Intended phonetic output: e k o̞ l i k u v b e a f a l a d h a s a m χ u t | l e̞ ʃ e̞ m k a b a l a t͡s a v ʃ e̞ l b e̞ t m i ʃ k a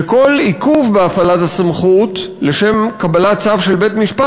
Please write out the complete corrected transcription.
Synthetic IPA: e k o̞ l i k u v b e a f a l a t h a s a m χ u t | l e̞ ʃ e̞ m k a b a l a t͡s a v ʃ e̞ l b e̞ t m i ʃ p a

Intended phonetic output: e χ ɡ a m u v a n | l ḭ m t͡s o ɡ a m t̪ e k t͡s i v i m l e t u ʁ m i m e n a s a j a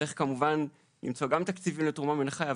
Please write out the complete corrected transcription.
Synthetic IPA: e χ k a m u v a n | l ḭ m t͡s o ɡ a m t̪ a k t͡s i v i m l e t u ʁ m a m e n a χ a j a

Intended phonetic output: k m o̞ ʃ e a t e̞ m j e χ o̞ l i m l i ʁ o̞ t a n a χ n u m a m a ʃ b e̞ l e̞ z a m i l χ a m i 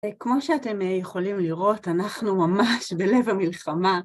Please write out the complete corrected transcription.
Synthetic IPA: k m o̞ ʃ e a t e̞ m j e χ o̞ l i m l i ʁ o̞ t a n a χ n u m a m a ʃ b e̞ l e̞ v a m i l χ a m a

